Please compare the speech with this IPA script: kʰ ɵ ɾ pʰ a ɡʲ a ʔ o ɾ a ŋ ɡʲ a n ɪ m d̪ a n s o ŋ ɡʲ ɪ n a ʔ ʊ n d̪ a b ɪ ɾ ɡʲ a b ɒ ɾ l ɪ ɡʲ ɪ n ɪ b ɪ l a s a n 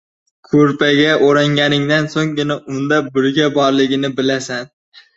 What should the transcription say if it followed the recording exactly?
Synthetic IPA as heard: kʰ ɵ ɾ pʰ a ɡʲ a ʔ o ɾ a ŋ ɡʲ a n ɪ ŋ d̪ a n s o ŋ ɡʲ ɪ n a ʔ ʊ n d̪ a b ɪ ɾ ɡʲ a b ɒ ɾ l ɪ ɡʲ ɪ n ɪ b ɪ l a s a n